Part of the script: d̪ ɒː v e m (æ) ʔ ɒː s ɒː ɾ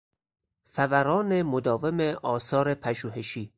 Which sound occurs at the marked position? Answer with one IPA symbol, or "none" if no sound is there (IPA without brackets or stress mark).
e